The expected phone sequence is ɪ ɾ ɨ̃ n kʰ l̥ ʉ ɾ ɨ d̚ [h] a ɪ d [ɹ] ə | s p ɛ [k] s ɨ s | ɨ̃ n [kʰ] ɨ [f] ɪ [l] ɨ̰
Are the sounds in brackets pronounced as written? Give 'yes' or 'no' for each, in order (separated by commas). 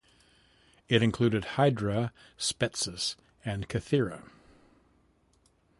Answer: yes, yes, no, yes, no, no